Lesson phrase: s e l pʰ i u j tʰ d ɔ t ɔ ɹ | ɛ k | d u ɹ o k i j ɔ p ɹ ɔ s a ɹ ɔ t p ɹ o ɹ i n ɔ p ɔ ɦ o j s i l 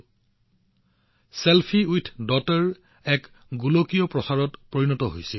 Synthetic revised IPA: s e l pʰ i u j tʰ d ɔ t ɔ ɹ | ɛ k | ɡ u l o k i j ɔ p ɹ ɔ s a ɹ ɔ t p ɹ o ɹ i n ɔ t ɔ ɦ o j s i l